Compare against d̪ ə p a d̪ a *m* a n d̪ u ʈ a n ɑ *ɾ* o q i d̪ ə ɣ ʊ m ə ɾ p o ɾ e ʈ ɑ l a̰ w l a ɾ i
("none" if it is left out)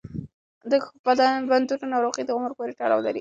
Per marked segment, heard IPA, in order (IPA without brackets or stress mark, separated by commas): b, ɾ